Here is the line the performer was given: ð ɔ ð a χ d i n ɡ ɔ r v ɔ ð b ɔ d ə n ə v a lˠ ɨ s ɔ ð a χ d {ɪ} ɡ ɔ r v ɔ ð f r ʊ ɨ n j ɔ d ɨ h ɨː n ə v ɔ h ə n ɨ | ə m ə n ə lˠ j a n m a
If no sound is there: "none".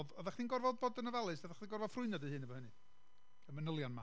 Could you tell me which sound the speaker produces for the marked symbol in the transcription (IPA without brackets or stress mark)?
i